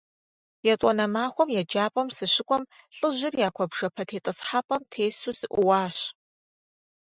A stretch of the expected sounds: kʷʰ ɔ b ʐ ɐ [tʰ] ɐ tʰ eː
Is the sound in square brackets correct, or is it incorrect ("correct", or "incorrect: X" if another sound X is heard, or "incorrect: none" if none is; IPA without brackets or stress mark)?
incorrect: pʰ